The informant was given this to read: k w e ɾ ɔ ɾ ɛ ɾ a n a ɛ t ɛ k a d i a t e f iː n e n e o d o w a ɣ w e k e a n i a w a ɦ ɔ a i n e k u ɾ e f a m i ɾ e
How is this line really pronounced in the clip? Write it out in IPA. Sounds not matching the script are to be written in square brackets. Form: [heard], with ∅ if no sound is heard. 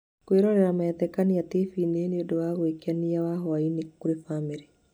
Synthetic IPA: k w e ɾ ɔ ɾ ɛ ɾ a [m] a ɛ t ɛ k a [n] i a t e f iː n e n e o d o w a ɣ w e k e a n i a w a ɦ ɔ a i n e k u ɾ e f a m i ɾ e